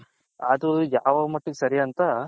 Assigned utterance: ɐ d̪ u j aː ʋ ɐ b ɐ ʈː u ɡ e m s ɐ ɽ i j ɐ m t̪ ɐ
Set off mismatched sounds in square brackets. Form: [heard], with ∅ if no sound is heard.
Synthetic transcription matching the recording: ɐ d̪ u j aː ʋ ɐ [m] ɐ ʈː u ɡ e [∅] s ɐ [ɾ] i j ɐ [n] t̪ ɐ